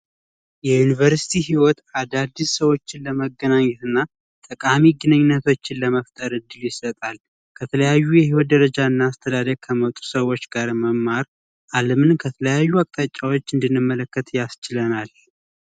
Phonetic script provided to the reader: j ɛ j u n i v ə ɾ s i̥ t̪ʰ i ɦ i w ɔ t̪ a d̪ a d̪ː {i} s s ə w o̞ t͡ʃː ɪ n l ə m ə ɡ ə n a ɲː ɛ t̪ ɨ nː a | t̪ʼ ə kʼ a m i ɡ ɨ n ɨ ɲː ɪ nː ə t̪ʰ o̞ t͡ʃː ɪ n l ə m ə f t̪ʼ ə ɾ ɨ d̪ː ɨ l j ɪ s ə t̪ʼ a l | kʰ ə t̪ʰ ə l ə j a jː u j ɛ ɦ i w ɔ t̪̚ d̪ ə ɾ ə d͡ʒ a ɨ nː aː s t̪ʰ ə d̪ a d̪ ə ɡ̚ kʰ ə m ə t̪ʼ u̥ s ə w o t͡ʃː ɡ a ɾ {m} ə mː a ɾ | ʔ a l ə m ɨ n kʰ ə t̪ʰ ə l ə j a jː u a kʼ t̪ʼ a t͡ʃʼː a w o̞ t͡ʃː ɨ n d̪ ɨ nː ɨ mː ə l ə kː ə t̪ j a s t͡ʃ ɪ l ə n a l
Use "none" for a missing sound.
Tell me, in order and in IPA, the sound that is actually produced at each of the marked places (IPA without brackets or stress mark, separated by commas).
i, m